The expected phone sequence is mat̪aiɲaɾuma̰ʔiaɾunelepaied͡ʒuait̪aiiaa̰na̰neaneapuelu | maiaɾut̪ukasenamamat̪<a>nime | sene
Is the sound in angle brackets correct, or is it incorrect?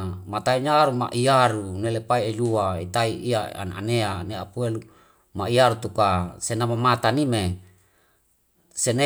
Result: correct